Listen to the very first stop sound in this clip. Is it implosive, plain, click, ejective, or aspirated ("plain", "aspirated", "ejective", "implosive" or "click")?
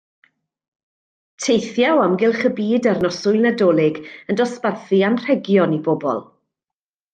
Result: aspirated